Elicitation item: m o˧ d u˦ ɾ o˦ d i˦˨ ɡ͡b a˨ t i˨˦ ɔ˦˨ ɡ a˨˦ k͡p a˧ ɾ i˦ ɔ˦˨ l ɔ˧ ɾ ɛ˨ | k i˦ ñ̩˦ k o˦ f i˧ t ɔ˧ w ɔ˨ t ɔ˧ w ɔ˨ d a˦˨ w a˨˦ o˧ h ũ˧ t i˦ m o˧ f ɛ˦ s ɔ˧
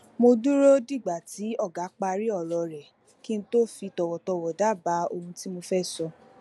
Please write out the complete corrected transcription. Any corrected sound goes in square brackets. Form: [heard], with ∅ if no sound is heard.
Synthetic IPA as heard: m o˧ d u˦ ɾ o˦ d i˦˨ ɡ͡b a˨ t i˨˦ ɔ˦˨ ɡ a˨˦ k͡p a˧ ɾ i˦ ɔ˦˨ l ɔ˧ ɾ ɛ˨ | k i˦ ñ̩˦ [t] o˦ f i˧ t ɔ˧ w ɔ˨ t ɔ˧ w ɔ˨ d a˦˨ [b] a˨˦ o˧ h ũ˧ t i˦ m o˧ f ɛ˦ s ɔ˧